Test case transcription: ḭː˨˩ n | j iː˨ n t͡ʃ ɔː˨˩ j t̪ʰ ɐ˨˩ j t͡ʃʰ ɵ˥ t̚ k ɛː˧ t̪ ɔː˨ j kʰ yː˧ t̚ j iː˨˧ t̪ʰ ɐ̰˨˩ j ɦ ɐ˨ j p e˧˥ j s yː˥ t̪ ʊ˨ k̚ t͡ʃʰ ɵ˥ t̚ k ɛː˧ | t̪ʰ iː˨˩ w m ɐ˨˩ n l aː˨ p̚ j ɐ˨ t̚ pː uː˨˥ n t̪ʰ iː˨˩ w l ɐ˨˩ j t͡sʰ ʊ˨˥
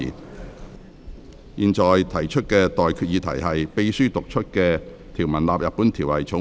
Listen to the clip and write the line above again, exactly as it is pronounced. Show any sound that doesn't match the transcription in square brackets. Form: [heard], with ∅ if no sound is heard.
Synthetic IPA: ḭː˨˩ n | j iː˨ n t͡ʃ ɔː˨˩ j t̪ʰ ɐ˨˩ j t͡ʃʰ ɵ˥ t̚ k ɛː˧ t̪ ɔː˨ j kʰ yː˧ t̚ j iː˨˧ t̪ʰ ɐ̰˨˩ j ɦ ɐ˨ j p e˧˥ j s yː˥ t̪ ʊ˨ k̚ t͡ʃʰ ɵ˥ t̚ k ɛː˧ | t̪ʰ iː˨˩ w m ɐ˨˩ n l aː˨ p̚ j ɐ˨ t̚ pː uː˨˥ n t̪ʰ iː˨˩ w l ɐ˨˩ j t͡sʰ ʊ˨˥